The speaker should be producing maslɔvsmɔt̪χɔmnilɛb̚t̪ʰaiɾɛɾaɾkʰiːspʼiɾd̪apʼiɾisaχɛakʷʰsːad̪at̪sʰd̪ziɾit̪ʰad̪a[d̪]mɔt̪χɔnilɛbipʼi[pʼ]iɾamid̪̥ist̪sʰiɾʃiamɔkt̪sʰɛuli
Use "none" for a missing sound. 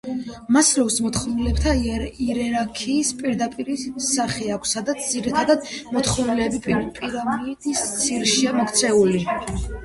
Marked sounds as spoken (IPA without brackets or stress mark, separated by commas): d̪, pʼ